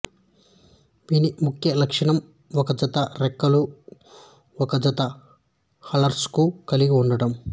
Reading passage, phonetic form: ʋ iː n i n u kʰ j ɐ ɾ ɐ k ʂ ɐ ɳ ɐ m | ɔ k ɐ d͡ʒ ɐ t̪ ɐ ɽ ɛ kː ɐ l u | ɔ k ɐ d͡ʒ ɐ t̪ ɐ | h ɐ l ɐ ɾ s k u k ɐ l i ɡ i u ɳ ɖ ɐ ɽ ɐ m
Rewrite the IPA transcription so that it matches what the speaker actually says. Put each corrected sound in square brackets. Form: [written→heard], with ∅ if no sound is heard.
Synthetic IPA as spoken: ʋ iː n i [n→m] u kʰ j ɐ [ɾ→l] ɐ k ʂ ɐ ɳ ɐ m | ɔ k ɐ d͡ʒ ɐ t̪ ɐ [ɽ→ɾ] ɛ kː ɐ l u | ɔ k ɐ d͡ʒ ɐ t̪ ɐ | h ɐ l ɐ ɾ s k u k ɐ l i ɡ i u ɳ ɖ ɐ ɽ ɐ m